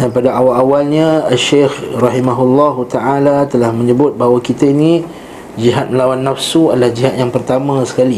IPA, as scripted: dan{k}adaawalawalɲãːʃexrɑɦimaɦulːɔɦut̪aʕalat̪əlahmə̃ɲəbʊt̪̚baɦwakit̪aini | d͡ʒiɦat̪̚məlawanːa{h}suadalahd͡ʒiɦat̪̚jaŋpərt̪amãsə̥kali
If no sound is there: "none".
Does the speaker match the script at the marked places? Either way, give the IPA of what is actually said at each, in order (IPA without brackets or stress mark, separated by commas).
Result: p, f